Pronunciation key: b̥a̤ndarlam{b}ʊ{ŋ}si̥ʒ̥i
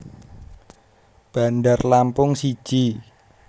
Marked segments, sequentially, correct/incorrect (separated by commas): incorrect, correct